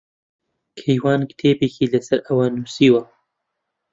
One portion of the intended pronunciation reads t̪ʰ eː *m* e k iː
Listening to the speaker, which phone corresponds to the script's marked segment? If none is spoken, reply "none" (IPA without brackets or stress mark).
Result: b